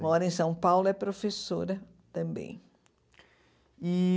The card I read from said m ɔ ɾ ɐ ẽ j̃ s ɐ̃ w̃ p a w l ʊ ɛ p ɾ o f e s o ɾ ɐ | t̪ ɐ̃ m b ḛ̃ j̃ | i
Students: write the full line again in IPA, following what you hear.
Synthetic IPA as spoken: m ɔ ɾ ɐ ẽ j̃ s ɐ̃ w̃ p a w l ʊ ɛ p ɾ o f e s o ɾ ɐ | t̪ ɐ̃ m b ḛ̃ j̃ | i